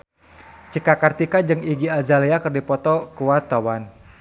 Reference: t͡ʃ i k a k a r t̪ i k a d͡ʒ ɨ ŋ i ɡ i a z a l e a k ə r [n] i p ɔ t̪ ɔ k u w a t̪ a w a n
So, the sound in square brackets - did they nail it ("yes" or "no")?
no